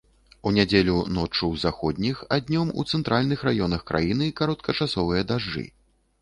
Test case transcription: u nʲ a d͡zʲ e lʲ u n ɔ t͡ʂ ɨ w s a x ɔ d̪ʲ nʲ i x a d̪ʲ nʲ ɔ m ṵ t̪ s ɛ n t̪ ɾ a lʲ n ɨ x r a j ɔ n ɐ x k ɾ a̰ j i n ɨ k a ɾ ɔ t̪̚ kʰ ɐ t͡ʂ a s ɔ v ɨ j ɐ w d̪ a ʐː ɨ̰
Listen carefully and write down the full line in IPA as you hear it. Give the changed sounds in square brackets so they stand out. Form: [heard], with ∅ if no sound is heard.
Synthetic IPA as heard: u nʲ a d͡zʲ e lʲ u n ɔ t͡ʂ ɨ w [z] a x ɔ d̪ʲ nʲ i x a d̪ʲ nʲ ɔ m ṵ t̪ s ɛ n t̪ ɾ a lʲ n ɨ x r a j ɔ n ɐ x k ɾ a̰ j i n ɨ k a ɾ ɔ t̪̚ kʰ ɐ t͡ʂ a s ɔ v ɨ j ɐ [∅] d̪ a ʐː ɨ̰

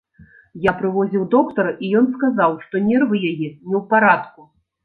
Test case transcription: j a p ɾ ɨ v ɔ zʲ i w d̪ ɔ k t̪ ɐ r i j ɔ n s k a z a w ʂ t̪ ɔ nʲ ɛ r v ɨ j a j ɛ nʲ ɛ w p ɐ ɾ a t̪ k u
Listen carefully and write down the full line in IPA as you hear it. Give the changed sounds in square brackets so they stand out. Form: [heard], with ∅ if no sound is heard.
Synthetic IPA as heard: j a p ɾ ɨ v ɔ zʲ i w d̪ ɔ k t̪ ɐ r i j ɔ n s k a z a w ʂ t̪ ɔ nʲ ɛ r v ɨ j a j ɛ nʲ ɛ w p [a] ɾ a t̪ k u

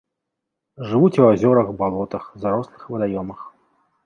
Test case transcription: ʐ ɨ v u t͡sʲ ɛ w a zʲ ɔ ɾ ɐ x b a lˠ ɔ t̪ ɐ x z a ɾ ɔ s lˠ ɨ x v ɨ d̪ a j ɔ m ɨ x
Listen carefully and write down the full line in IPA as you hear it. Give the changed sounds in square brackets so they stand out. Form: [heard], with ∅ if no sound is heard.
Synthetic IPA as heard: ʐ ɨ v u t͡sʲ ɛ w a zʲ ɔ ɾ ɐ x b a lˠ ɔ t̪ ɐ x z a ɾ ɔ s lˠ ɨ x v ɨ d̪ a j ɔ m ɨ x

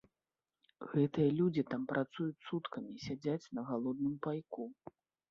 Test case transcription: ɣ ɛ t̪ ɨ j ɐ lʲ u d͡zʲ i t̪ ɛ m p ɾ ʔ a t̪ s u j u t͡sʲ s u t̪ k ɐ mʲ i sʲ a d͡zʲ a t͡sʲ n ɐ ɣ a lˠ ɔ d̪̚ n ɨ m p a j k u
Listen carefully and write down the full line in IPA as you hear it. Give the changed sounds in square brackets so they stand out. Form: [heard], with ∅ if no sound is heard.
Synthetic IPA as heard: ɣ ɛ t̪ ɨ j ɐ lʲ u d͡zʲ i t̪ [a] m p ɾ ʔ a t̪ s u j u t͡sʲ s u t̪ k ɐ mʲ i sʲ a d͡zʲ a t͡sʲ n ɐ ɣ a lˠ ɔ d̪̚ n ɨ m p a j k u

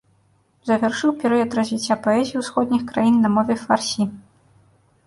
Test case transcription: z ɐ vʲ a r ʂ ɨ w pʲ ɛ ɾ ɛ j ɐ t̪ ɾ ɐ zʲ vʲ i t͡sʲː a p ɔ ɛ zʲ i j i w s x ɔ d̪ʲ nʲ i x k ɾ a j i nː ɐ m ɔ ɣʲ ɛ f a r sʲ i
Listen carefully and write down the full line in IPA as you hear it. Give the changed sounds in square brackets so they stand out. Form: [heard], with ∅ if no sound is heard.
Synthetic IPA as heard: z ɐ vʲ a r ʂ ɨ w pʲ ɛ ɾ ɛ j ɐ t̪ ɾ ɐ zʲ vʲ i t͡sʲː a p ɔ ɛ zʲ i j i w s x ɔ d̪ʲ nʲ i x k ɾ a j i nː ɐ m ɔ [vʲ] ɛ f a r sʲ i

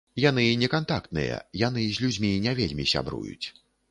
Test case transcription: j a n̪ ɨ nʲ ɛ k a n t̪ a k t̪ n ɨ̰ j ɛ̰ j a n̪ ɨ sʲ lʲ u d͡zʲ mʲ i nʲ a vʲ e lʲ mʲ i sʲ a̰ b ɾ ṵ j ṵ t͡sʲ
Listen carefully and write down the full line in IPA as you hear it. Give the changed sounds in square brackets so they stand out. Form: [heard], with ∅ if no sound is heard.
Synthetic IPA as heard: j a n̪ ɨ nʲ ɛ k a n t̪ a k t̪ n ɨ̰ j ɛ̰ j a n̪ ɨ [zʲ] lʲ u d͡zʲ mʲ i nʲ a vʲ e lʲ mʲ i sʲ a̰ b ɾ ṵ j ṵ t͡sʲ

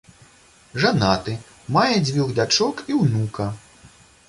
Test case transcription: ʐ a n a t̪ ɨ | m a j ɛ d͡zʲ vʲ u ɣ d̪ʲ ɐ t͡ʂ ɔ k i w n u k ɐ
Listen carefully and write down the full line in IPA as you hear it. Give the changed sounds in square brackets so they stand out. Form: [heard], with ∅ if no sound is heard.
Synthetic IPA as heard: ʐ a n a t̪ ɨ | m a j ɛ d͡zʲ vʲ u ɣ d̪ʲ [a] t͡ʂ ɔ k i w n u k ɐ

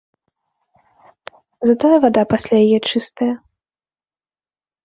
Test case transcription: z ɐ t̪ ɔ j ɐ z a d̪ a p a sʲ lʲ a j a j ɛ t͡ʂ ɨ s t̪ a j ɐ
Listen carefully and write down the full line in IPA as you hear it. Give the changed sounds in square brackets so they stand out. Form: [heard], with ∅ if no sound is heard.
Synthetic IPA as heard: z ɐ t̪ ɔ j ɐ [v] a d̪ a p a sʲ lʲ a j a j ɛ t͡ʂ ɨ s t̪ [ɐ] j ɐ

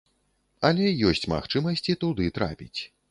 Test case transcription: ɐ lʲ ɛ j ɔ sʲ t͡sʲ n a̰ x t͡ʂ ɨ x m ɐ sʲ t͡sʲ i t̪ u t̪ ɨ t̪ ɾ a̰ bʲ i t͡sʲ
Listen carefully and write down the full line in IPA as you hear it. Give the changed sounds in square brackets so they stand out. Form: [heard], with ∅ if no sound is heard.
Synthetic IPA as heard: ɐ lʲ ɛ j ɔ sʲ t͡sʲ [m] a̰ x t͡ʂ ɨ [∅] m ɐ sʲ t͡sʲ i t̪ u [d̪] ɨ t̪ ɾ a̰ [pʲ] i t͡sʲ

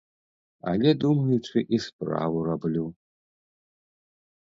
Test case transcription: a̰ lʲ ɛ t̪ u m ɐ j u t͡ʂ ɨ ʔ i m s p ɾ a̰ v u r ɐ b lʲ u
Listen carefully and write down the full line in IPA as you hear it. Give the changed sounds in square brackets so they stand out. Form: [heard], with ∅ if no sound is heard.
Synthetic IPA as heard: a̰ lʲ ɛ [d̪] u m ɐ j u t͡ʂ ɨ ʔ i [∅] s p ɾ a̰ v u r [a] b lʲ u

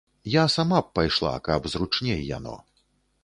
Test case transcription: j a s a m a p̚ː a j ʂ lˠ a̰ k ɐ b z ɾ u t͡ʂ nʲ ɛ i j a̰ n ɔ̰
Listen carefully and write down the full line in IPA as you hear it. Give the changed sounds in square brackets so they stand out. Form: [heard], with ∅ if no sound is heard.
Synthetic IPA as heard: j a s a m a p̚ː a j ʂ lˠ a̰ k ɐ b z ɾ u t͡ʂ nʲ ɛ [j] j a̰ n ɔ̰

